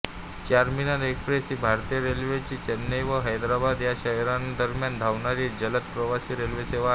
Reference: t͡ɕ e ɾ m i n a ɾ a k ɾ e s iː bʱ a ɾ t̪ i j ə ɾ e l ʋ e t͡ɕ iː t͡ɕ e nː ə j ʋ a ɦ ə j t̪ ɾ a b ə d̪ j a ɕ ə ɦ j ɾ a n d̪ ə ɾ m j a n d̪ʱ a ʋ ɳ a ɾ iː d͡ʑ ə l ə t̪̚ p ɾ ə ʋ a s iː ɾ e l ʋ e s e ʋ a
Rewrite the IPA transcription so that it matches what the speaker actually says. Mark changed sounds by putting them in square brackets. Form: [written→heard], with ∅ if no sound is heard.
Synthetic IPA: t͡ɕ [e→a] ɾ m i n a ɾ [a→e] k ɾ e s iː bʱ a ɾ t̪ i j ə ɾ e l ʋ e t͡ɕ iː t͡ɕ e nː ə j ʋ [a→ə] ɦ ə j [t̪→d̪] ɾ a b [ə→a] d̪ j a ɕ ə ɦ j ɾ a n d̪ ə ɾ m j a n d̪ʱ a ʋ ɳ a ɾ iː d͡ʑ ə l ə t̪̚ p ɾ ə ʋ a s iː ɾ e l ʋ e s e ʋ a

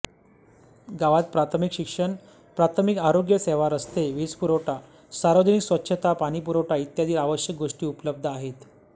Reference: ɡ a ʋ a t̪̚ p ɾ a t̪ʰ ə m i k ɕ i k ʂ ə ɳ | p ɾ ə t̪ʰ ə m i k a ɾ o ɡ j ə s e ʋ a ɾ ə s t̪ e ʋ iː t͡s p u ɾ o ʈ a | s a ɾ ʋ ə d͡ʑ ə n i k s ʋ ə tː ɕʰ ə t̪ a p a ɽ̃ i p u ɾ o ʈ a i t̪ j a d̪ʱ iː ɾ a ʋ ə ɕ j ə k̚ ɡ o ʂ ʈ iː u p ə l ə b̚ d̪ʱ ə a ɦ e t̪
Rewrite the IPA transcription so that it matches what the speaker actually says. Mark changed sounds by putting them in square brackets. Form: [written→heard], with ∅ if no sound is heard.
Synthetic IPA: ɡ a ʋ a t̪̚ p ɾ a t̪ʰ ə m i k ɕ i k ʂ ə ɳ | p ɾ [ə→a] t̪ʰ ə m i k a ɾ o ɡ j ə s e ʋ a ɾ ə s t̪ e ʋ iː t͡s p u ɾ o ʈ a | s a ɾ ʋ ə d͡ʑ ə n i k s ʋ ə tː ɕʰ ə t̪ a p a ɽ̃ i p u ɾ o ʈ a i t̪ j a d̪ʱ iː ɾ a ʋ ə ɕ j ə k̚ ɡ o ʂ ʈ iː u p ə l ə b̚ d̪ʱ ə a ɦ e t̪

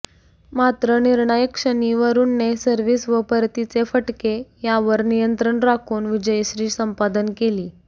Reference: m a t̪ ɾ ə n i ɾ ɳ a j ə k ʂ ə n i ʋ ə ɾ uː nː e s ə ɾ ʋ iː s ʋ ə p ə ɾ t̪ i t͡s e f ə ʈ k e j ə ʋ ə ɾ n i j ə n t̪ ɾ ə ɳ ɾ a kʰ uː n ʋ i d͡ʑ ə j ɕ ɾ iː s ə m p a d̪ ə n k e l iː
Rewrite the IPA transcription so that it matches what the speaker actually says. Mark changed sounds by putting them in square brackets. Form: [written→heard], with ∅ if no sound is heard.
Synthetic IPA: m a t̪ ɾ ə n i ɾ ɳ a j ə k ʂ ə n i ʋ ə ɾ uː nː e s ə ɾ ʋ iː s ʋ ə p ə ɾ t̪ i t͡s e f ə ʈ k e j [ə→a] ʋ ə ɾ n i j ə n t̪ ɾ ə ɳ ɾ a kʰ uː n ʋ i d͡ʑ ə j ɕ ɾ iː s ə m p a d̪ ə n k e l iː

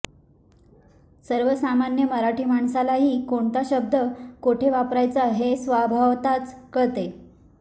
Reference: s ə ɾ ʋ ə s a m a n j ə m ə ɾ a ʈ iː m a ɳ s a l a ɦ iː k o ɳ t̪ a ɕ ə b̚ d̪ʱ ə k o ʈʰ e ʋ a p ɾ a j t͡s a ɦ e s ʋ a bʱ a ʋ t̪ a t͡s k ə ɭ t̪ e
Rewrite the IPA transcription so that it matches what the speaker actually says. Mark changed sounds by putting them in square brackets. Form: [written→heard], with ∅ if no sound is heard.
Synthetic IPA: s ə ɾ ʋ ə s a m a n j ə m ə ɾ a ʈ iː m a ɳ s a l a ɦ iː k o ɳ t̪ a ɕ ə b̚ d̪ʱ ə k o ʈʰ e ʋ a p ɾ a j t͡s a ɦ e s ʋ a bʱ a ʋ t̪ a t͡s k ə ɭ t̪ e

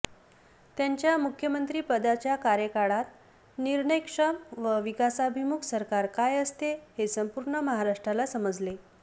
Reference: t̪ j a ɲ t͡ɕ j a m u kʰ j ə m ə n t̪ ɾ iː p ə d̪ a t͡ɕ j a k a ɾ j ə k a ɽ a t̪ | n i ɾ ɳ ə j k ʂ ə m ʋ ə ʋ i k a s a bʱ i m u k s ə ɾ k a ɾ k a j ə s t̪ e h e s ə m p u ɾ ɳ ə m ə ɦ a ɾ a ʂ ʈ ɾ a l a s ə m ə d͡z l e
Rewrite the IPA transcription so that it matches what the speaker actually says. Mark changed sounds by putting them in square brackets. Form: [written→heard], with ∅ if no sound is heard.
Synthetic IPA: t̪ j a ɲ t͡ɕ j a m u kʰ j ə m ə n t̪ ɾ iː p ə d̪ a t͡ɕ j a k a ɾ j ə k a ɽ a t̪ | n i ɾ ɳ ə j k ʂ ə m ʋ ə ʋ i k a s a bʱ i m u k s ə ɾ k a ɾ k a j ə s t̪ e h e s ə m p u ɾ ɳ ə m ə ɦ a ɾ a ʂ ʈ ɾ a l a s ə m ə d͡z l e

